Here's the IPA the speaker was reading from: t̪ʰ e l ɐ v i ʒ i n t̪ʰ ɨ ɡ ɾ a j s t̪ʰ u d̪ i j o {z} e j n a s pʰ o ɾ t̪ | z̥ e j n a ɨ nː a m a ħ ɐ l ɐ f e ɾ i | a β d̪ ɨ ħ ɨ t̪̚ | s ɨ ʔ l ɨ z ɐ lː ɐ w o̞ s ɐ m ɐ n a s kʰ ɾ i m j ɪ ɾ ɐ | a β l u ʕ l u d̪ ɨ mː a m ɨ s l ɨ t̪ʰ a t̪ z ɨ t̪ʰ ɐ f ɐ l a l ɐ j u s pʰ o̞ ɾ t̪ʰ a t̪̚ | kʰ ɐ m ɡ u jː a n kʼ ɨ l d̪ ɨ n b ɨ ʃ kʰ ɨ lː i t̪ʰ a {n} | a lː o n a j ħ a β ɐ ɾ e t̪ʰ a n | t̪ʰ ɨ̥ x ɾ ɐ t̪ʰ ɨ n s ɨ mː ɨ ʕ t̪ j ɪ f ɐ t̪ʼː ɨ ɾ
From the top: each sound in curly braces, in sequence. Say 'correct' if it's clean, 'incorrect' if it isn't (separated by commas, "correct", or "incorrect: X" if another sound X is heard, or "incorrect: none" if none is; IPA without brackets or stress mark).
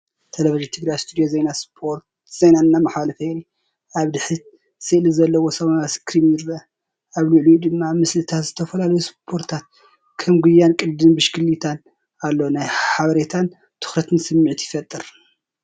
correct, correct